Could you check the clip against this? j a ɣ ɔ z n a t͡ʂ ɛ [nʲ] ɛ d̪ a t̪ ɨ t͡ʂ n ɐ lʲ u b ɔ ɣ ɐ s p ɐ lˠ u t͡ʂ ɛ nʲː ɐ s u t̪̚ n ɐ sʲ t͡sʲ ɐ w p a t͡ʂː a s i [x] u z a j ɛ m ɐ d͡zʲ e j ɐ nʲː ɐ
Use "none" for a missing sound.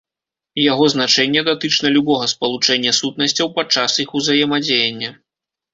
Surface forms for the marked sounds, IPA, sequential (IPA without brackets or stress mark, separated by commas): nʲː, x